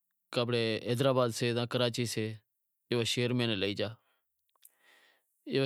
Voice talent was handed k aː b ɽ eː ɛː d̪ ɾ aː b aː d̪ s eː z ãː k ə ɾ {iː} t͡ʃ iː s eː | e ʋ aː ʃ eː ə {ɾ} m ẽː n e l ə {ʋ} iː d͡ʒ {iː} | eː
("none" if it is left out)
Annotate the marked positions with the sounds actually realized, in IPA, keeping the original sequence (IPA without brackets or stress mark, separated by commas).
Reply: aː, ɾ, none, aː